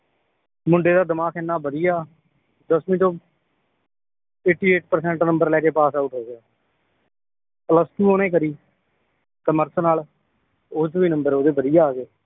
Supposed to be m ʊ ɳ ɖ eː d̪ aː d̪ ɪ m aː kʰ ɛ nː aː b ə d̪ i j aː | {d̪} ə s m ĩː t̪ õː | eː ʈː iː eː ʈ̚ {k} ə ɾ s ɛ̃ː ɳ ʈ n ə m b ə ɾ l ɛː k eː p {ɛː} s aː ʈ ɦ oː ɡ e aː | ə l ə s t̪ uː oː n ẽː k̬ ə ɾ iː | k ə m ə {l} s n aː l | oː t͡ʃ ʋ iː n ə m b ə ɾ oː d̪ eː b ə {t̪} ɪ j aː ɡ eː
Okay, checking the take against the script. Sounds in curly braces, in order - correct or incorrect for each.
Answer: correct, incorrect: p, incorrect: aː, incorrect: ɾ, incorrect: d̪

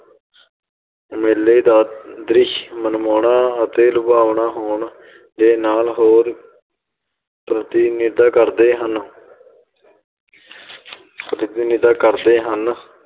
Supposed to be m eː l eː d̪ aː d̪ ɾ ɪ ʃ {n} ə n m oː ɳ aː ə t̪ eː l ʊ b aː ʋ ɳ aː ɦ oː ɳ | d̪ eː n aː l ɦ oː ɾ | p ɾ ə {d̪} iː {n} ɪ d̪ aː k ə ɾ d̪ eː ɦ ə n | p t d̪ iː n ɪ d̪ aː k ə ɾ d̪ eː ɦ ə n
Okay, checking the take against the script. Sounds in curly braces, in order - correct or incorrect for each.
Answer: incorrect: m, incorrect: t̪, correct

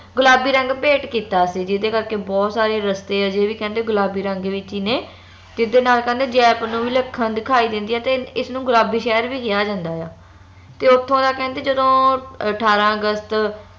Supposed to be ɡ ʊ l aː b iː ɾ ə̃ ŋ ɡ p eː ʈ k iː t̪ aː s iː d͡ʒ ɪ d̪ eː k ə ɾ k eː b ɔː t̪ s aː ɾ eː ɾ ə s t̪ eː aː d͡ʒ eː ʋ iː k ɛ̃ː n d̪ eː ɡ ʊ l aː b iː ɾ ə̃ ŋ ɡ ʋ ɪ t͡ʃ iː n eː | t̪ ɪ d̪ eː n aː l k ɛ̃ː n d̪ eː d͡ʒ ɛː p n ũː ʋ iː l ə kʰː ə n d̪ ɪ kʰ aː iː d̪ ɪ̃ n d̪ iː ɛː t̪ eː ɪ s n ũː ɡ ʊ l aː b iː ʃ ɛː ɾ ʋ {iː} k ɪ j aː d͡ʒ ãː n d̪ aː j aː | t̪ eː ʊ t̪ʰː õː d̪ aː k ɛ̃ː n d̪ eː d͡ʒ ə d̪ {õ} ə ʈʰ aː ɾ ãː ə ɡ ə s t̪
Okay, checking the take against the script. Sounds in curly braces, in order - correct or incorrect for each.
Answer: correct, incorrect: õː

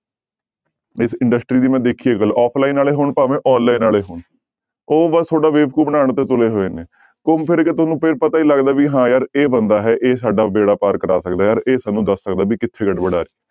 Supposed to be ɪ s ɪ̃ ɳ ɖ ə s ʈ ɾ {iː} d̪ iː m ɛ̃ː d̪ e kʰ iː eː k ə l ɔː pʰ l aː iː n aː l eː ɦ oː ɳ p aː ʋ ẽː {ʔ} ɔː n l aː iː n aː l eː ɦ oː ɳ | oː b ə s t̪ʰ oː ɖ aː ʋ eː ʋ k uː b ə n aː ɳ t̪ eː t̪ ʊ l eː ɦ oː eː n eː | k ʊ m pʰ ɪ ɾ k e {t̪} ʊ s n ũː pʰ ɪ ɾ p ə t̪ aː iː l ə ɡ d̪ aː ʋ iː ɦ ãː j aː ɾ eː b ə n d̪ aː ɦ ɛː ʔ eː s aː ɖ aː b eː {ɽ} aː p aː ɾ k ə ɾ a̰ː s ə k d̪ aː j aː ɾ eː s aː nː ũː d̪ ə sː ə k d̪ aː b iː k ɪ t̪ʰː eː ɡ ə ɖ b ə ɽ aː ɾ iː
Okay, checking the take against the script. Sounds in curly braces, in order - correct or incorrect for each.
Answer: correct, correct, correct, correct

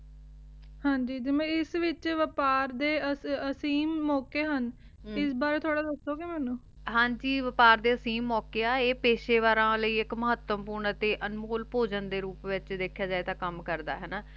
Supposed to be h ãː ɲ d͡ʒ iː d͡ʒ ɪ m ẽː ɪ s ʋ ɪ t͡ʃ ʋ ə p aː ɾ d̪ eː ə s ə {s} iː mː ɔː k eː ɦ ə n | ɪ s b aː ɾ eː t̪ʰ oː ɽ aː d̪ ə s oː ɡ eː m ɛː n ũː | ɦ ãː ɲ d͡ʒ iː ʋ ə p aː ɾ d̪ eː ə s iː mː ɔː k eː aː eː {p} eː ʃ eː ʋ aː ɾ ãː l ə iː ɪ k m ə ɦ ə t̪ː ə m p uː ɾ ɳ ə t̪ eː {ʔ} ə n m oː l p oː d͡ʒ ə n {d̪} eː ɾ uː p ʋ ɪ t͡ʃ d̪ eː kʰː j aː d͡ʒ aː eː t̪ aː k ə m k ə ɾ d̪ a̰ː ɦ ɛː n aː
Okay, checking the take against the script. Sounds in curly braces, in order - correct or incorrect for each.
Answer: correct, correct, correct, correct

